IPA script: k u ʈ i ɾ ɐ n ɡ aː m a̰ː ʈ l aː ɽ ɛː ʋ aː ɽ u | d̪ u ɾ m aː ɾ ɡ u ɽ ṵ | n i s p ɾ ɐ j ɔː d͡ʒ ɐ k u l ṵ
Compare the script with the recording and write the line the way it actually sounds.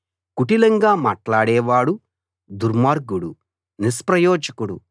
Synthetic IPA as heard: k u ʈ i l ɐ ŋ ɡ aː m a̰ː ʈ l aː ɽ ɛː ʋ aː ɽ u | d̪ u ɾ m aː ɾ ɡ u ɽ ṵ | n i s p ɾ ɐ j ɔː d͡ʒ ɐ k u ɽ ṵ